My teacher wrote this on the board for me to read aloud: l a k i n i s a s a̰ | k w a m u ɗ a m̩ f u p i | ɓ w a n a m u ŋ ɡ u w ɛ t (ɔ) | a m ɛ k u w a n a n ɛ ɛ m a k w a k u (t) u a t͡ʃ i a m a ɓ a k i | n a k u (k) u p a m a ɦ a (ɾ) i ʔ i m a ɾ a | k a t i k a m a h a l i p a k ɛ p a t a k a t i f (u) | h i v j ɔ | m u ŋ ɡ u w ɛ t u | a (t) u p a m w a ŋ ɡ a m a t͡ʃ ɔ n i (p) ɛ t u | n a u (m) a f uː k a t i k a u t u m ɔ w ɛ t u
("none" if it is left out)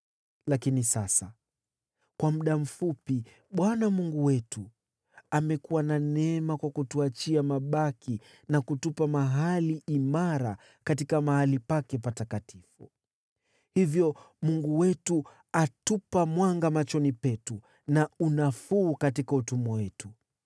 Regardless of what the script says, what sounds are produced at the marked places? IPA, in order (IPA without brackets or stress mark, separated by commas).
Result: u, t, t, l, u, t, p, n